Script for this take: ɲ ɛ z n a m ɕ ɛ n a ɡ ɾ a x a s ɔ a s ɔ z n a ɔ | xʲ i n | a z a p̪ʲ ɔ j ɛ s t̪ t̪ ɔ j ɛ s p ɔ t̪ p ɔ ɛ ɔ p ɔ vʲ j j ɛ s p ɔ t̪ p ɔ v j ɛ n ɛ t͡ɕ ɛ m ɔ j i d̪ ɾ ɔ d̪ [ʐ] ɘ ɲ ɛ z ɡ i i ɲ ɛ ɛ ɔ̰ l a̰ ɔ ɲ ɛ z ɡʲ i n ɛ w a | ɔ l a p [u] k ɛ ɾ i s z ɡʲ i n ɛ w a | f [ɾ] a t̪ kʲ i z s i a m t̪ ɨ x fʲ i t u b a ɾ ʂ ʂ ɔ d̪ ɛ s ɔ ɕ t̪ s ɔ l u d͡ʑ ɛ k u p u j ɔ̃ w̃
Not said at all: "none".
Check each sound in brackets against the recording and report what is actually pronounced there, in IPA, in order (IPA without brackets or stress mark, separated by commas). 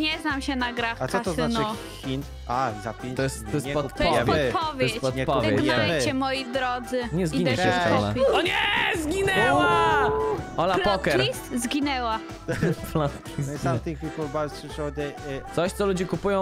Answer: z, ɔ, l